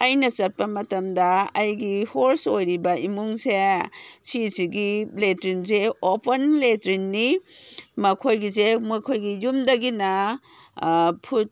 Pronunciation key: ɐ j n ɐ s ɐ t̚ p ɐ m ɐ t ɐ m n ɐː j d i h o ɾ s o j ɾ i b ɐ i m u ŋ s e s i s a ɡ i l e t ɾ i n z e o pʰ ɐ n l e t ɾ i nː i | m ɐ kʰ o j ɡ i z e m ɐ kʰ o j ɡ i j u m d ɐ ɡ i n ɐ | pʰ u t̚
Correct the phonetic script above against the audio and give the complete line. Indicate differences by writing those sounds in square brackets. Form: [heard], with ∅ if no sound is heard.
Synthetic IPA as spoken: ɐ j n ɐ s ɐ t̚ p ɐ m ɐ t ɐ m [d] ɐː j [ɡ] i h o ɾ s o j ɾ i b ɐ i m u ŋ s e s i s [i] ɡ i l e t ɾ i n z e o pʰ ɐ n l e t ɾ i nː i | m ɐ kʰ o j ɡ i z e m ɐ kʰ o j ɡ i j u m d ɐ ɡ i n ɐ | pʰ u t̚